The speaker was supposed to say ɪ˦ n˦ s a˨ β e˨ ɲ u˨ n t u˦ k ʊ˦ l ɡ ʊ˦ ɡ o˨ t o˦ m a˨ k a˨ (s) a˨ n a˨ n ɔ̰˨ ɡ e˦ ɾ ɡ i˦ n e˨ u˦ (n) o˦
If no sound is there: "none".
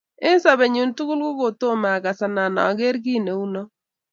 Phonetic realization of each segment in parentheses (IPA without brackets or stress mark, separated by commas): s, n